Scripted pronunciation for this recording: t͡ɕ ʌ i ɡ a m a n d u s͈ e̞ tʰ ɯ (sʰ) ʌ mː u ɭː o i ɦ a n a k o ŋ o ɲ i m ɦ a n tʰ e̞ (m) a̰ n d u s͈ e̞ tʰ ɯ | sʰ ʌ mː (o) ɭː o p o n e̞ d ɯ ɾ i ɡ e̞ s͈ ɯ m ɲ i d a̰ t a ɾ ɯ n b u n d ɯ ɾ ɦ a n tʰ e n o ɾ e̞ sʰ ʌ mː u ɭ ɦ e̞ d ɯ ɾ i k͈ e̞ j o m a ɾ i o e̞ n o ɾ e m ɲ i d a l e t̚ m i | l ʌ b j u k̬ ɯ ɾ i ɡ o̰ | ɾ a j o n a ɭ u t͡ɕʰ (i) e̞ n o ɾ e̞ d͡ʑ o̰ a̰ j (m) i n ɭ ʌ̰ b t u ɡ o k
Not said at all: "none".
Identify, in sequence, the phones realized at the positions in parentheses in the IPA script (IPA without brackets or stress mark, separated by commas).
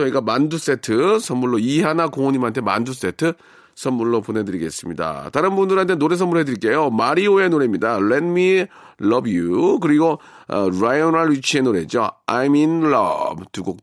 sʰ, m, u, i, m